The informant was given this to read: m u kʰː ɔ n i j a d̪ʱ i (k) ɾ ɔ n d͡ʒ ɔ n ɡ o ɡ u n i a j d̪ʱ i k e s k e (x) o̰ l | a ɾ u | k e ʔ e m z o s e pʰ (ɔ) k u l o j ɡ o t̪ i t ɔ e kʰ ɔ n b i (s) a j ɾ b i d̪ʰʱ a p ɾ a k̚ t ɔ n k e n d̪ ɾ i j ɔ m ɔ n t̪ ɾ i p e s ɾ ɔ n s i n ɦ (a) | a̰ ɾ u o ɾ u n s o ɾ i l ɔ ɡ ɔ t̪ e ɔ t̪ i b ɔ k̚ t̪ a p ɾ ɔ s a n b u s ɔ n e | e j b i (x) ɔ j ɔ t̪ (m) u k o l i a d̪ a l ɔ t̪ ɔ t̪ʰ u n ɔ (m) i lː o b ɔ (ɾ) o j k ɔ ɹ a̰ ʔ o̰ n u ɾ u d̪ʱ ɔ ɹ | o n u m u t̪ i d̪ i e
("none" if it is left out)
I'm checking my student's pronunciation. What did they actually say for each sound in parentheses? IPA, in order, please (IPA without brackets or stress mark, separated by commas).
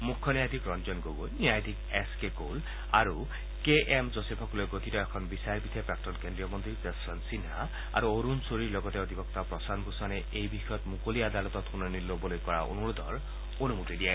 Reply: k, k, ɔ, s, a, x, m, n, l